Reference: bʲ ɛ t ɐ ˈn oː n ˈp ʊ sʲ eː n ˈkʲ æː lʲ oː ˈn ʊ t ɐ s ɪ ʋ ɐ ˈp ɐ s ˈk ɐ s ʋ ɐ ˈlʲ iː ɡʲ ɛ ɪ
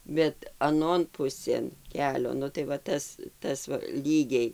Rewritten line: bʲ ɛ t ɐ ˈn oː n ˈp ʊ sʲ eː n ˈkʲ æː lʲ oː ˈn ʊ t ɐ ɪ ʋ ɐ ˈt ɐ s ˈt ɐ s ʋ ɐ ˈlʲ iː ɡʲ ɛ ɪ